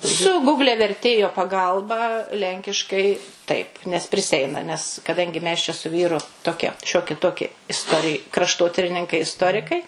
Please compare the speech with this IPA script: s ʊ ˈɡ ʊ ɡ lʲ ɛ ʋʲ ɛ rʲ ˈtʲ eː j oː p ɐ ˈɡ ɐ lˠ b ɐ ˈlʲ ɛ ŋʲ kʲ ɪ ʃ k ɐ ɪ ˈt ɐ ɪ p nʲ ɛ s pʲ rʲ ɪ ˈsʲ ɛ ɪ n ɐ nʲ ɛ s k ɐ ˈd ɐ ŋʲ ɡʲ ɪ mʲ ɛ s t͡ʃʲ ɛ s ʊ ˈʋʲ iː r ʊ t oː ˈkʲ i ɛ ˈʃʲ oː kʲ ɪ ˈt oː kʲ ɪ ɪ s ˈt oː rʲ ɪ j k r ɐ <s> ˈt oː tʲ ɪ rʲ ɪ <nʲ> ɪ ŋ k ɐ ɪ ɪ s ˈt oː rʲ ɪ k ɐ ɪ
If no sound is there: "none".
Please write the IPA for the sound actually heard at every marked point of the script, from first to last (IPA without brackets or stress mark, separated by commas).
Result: ʃ, nʲ